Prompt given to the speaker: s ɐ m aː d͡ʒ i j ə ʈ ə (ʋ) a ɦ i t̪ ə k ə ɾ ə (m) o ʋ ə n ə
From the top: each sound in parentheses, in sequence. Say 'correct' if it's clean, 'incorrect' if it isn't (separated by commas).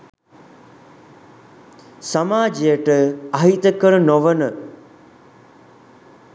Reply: incorrect, incorrect